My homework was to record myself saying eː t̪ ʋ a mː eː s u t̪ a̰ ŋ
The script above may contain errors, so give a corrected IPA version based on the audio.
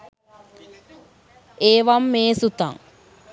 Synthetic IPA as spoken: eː ʋ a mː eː s u t̪ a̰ ŋ